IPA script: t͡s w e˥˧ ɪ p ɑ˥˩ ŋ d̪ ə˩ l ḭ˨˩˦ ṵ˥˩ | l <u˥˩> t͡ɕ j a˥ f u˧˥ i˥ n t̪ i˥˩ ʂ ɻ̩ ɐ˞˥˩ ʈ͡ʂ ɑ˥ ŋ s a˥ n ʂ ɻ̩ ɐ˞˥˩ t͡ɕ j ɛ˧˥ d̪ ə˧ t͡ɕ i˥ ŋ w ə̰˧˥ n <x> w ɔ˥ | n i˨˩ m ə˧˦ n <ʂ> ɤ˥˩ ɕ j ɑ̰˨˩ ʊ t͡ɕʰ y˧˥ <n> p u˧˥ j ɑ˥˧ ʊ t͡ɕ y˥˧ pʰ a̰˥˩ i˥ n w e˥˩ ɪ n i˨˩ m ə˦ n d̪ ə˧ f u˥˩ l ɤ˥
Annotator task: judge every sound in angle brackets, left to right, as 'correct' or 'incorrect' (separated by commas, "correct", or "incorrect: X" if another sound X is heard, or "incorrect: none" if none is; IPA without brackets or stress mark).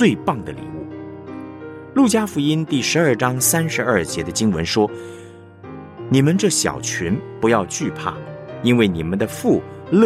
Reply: correct, incorrect: ʂ, incorrect: ʈ͡ʂ, correct